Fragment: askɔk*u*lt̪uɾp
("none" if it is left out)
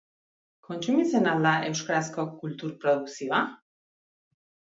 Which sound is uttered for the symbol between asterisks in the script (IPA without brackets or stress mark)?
u